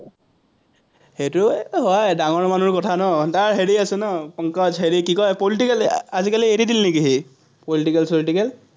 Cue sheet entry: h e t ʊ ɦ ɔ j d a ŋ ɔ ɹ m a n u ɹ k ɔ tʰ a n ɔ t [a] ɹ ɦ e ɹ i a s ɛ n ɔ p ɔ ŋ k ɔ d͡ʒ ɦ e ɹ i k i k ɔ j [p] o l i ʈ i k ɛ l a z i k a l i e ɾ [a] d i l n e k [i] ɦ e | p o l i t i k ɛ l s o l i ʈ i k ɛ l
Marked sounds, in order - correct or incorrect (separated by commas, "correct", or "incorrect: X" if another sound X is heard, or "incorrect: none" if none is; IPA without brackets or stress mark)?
correct, correct, incorrect: i, correct